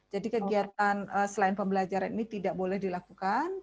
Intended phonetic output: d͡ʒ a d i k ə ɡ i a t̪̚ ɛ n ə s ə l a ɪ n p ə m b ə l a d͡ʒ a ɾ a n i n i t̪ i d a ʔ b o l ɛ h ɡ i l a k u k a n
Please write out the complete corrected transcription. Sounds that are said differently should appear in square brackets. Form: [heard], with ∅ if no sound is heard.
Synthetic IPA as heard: d͡ʒ a d i k ə ɡ i a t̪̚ [a] n ə s ə l a ɪ n p ə m b ə l a d͡ʒ a ɾ a n i n i t̪ i d a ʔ b o l ɛ h [d] i l a k u k a n